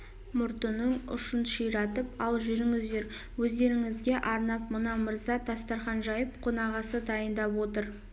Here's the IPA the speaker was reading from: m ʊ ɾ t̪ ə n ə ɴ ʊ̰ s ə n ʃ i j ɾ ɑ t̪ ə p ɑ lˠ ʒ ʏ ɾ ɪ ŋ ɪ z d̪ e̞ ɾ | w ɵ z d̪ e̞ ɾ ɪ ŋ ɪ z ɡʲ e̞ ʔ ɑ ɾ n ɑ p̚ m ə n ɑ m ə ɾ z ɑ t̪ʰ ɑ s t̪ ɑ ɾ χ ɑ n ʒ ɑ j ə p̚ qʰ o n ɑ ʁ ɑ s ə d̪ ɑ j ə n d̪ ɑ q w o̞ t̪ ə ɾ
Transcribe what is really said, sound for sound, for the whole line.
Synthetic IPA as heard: m ʊ ɾ t̪ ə n ə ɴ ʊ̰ ʃ ə n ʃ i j ɾ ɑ t̪ ə p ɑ lˠ ʒ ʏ ɾ ɪ ŋ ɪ z d̪ e̞ ɾ | w ɵ z d̪ e̞ ɾ ɪ ŋ ɪ z ɡʲ e̞ ʔ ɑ ɾ n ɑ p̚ m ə n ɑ m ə ɾ z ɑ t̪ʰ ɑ s t̪ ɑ ɾ χ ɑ n ʒ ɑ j ə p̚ qʰ o n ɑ ʁ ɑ s ə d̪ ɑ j ə n d̪ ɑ p w o̞ t̪ ə ɾ